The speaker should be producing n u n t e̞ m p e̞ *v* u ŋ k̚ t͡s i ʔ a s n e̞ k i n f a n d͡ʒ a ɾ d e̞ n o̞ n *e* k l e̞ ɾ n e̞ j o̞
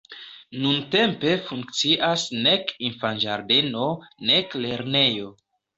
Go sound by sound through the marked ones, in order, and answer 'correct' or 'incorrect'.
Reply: incorrect: f, correct

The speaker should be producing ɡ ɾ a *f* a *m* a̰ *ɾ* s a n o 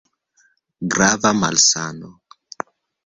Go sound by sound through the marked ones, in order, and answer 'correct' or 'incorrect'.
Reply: incorrect: v, correct, incorrect: l

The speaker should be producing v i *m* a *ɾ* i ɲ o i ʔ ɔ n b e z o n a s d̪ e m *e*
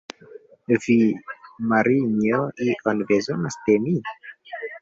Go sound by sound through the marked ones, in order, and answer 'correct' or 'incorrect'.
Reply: correct, correct, incorrect: i

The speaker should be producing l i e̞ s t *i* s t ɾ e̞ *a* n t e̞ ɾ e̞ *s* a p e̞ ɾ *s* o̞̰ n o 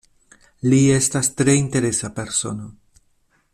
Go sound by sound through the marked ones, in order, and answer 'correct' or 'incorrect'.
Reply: incorrect: a, incorrect: i, correct, correct

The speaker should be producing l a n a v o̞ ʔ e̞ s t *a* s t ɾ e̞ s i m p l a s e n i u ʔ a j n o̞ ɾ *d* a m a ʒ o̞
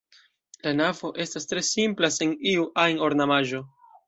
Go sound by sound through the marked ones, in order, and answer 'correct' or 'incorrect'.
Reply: correct, incorrect: n

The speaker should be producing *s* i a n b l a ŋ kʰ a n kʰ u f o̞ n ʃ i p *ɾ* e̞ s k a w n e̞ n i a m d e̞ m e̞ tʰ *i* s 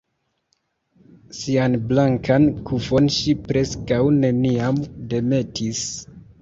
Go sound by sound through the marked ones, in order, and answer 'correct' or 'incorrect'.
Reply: correct, correct, correct

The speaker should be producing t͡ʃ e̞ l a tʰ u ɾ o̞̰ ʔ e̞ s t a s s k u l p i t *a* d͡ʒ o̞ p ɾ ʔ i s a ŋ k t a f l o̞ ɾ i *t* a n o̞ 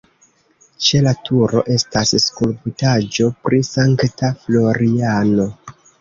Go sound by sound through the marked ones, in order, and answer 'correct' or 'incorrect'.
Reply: correct, incorrect: none

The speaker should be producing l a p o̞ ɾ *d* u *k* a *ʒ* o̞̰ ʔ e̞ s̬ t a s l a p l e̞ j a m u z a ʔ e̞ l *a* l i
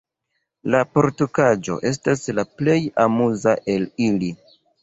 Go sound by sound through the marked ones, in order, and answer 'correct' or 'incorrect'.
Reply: incorrect: t, correct, incorrect: d͡ʒ, incorrect: i

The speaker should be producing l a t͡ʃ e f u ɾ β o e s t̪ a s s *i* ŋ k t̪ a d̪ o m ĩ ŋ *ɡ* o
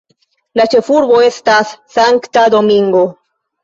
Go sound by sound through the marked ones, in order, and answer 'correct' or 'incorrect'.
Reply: incorrect: a, correct

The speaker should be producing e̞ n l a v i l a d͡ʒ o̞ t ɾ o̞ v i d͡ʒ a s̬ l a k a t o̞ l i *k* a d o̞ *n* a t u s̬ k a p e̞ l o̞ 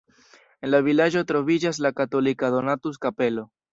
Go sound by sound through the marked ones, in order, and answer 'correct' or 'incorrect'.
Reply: correct, correct

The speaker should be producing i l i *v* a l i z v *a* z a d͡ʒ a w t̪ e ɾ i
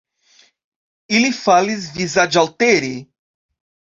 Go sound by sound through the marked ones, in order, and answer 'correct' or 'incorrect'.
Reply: incorrect: f, incorrect: i

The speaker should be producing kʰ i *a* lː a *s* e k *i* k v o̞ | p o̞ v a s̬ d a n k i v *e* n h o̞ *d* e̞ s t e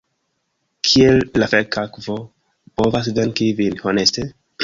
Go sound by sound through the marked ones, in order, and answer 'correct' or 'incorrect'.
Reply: incorrect: e, incorrect: f, incorrect: a, incorrect: i, incorrect: n

